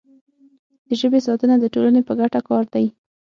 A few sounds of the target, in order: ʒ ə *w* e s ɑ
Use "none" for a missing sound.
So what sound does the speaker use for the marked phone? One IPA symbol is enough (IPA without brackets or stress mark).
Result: b